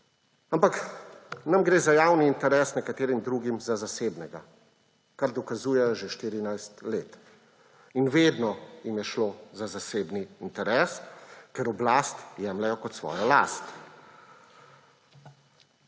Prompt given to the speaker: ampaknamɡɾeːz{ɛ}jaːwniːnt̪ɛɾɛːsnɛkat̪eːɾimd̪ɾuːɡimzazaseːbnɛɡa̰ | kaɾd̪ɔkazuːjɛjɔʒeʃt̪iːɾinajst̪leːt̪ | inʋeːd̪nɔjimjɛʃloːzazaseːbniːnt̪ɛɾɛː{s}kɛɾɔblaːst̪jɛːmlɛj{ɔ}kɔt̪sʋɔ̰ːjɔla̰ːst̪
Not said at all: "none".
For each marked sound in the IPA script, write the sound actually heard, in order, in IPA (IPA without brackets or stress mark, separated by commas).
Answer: a, s, ɔ